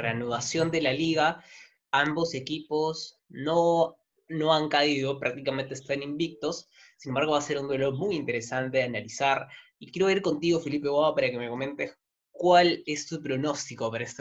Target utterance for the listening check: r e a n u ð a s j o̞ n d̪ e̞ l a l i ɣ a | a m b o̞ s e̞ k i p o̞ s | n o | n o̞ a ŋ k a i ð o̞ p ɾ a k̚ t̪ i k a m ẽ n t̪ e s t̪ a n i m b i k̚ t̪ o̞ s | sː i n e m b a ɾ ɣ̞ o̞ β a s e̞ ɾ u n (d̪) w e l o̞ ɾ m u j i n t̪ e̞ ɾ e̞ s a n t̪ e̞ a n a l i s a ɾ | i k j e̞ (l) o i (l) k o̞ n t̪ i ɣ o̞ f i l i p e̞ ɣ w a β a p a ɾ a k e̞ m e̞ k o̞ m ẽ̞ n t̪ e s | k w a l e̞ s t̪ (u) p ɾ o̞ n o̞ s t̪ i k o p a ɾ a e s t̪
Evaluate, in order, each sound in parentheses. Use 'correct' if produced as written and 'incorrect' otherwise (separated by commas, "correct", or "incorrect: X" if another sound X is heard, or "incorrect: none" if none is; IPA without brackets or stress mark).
correct, incorrect: ɾ, incorrect: ɾ, correct